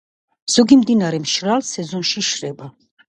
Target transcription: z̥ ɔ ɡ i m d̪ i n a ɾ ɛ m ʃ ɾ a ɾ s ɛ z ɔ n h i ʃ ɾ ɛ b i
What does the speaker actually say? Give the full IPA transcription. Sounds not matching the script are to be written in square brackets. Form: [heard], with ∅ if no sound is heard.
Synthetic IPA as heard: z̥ ɔ ɡ i m d̪ i n a ɾ ɛ m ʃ ɾ a [l] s ɛ z ɔ n [ʃ] i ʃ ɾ ɛ b [a]